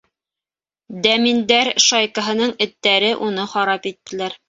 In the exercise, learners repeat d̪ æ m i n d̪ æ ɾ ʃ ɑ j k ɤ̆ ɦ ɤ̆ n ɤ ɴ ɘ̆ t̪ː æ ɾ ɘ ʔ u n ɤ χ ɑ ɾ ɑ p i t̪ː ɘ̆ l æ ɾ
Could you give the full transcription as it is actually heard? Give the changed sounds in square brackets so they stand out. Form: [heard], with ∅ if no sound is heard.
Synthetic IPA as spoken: d̪ æ m i n d̪ æ ɾ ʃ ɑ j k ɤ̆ ɦ ɤ̆ n ɤ ɴ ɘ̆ t̪ː æ ɾ ɘ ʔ u n ɤ χ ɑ ɾ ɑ p i t̪ː ɘ̆ l æ ɾ